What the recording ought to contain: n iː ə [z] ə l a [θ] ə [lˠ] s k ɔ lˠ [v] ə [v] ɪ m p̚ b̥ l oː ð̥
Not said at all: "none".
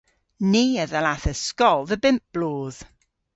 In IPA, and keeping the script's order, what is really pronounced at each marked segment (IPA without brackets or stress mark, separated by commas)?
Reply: ð, θ, none, ð, b